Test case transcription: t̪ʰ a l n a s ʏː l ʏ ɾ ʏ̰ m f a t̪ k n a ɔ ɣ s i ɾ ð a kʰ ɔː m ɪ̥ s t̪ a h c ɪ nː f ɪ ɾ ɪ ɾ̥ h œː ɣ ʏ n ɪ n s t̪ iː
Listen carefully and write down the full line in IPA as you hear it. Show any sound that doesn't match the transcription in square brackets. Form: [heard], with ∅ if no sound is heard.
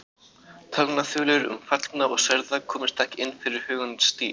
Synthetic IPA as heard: t̪ʰ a l n a [θ] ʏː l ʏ ɾ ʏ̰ m f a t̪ k n a ɔ ɣ s [ɛ] ɾ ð a kʰ ɔː m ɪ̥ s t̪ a h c ɪ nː f ɪ ɾ ɪ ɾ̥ h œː ɣ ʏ n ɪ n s t̪ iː